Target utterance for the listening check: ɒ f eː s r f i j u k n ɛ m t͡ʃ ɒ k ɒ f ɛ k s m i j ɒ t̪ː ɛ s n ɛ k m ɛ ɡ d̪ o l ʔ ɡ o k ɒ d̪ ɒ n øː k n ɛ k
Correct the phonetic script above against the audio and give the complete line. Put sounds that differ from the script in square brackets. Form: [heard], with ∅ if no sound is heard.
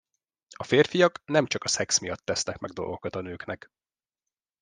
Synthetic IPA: ɒ f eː [∅] r f i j [ɒ] k n ɛ m t͡ʃ ɒ k ɒ [s] ɛ k s m i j ɒ t̪ː ɛ s n ɛ k m ɛ ɡ d̪ o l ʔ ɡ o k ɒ [t̪] ɒ n øː k n ɛ k